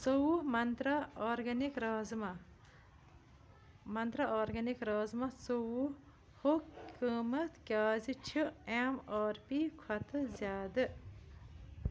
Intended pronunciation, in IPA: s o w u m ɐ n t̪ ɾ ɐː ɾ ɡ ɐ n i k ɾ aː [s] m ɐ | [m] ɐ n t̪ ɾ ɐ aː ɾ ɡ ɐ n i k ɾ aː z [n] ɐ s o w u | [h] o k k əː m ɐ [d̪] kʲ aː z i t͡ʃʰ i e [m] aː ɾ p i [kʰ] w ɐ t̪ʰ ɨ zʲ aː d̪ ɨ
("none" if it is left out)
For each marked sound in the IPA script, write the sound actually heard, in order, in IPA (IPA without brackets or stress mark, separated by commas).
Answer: z, m, m, h, t̪, m, kʰ